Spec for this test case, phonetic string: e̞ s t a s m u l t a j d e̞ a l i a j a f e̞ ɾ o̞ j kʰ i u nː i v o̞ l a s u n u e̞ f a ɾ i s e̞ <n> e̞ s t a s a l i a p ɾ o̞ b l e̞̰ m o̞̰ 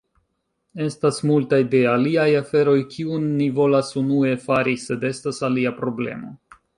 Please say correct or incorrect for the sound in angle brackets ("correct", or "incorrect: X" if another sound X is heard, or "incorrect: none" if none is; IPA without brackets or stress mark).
incorrect: d